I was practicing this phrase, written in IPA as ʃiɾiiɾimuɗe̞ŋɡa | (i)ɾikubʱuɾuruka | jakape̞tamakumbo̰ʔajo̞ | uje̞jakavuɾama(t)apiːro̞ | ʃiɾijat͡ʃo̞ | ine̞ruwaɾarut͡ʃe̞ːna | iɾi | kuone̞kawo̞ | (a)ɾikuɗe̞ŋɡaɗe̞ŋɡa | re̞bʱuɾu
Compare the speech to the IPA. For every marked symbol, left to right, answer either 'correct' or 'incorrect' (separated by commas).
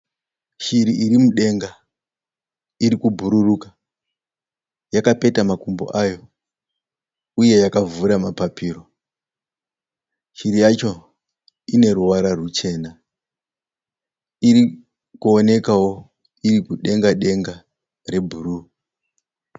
correct, incorrect, incorrect